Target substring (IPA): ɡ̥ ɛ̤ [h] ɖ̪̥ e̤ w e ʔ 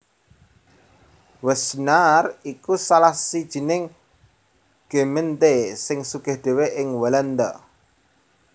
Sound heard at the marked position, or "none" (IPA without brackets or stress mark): h